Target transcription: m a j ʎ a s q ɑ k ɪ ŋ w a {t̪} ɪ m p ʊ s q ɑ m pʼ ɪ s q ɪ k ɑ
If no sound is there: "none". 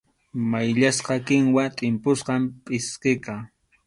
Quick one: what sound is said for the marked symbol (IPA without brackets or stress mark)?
t̪ʼ